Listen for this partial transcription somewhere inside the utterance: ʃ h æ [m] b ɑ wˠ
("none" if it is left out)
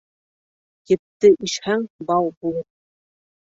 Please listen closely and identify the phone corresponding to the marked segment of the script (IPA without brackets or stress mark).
ŋ